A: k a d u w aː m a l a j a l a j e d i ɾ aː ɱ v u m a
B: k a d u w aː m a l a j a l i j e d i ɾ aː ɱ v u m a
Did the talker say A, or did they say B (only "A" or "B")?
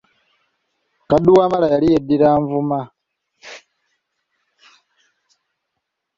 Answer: B